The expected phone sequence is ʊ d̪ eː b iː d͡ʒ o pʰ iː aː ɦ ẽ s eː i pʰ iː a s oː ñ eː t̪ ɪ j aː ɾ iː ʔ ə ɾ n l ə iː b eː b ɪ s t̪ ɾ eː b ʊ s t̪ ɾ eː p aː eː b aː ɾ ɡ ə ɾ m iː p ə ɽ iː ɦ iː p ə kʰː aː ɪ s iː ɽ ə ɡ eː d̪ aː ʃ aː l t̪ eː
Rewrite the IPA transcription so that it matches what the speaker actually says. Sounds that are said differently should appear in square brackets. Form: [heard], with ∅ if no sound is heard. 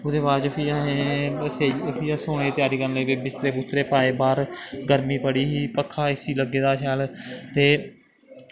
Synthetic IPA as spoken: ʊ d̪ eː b [aː] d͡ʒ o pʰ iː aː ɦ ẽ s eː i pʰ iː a s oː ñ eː t̪ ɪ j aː ɾ iː [k] ə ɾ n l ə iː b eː b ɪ s t̪ ɾ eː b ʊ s t̪ ɾ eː p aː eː b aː ɾ ɡ ə ɾ m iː p ə ɽ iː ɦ iː p ə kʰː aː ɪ s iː [l] ə ɡ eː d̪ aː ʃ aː l t̪ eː